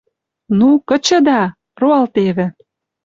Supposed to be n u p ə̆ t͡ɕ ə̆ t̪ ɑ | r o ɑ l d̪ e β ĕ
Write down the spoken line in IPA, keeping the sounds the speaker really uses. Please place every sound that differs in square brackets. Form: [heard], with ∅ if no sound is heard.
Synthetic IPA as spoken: n u [k] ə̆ t͡ɕ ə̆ [d̪] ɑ | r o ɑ l [t̪] e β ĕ